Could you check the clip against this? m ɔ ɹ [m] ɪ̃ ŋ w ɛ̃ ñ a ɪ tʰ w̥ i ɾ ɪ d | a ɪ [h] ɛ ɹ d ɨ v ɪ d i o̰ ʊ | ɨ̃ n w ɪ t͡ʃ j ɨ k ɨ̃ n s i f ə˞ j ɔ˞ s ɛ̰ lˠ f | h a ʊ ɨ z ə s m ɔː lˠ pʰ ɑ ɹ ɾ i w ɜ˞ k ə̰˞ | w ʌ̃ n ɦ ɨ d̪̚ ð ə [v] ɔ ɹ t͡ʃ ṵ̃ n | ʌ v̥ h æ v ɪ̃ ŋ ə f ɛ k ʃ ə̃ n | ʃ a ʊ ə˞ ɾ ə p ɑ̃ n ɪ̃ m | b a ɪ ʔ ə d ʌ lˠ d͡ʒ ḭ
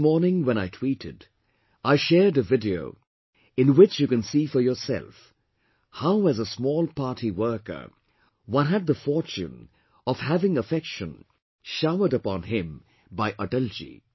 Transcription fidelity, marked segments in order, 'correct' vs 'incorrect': incorrect: n, incorrect: ʃ, incorrect: f

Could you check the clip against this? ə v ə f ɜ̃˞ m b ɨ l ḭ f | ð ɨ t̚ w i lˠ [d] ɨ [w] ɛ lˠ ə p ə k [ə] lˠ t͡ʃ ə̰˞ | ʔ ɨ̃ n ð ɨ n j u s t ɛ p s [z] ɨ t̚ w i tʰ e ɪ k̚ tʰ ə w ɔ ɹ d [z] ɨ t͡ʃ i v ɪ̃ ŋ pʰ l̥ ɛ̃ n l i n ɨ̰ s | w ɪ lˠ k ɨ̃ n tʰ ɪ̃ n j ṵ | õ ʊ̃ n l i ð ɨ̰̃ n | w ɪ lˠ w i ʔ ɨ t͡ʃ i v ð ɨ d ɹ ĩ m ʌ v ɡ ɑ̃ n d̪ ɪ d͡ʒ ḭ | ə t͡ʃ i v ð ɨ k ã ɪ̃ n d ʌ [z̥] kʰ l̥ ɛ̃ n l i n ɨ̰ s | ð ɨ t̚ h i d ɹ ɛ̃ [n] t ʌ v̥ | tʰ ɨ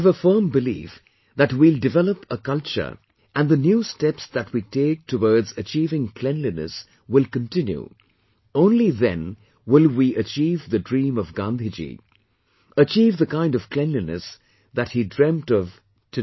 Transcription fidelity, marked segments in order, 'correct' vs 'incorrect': correct, incorrect: v, incorrect: ʌ, incorrect: ð, correct, incorrect: v̥, incorrect: m

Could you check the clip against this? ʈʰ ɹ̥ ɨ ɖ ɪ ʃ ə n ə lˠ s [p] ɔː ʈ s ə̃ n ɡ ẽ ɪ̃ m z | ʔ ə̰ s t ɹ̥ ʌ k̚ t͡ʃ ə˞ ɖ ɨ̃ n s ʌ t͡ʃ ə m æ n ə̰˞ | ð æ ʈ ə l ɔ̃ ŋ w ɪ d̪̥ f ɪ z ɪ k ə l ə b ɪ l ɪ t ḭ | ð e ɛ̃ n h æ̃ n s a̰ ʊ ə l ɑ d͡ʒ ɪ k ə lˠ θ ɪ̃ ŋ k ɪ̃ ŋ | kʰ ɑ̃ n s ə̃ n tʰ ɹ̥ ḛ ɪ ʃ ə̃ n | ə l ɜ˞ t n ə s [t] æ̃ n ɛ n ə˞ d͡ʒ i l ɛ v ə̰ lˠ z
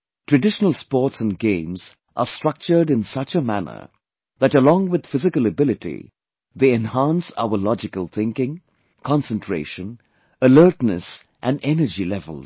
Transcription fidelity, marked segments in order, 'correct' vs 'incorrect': correct, incorrect: ʔ

